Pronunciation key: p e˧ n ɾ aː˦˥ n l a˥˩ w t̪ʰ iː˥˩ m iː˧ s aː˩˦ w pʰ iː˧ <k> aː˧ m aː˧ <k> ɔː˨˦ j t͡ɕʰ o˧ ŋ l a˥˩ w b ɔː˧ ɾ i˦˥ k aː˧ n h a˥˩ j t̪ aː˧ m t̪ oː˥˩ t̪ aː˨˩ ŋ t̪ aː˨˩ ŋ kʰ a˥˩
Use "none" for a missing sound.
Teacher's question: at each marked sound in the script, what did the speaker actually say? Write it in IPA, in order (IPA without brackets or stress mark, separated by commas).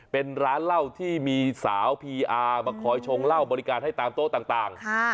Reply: ʔ, kʰ